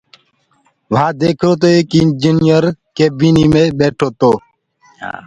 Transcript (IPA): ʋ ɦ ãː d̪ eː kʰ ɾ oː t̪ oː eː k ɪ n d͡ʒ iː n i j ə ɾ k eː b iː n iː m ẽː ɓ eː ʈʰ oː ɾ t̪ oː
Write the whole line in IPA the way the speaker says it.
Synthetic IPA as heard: ʋ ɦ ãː d̪ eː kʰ ɾ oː t̪ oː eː k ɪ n d͡ʒ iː n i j ə ɾ k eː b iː n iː m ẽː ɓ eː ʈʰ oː t̪ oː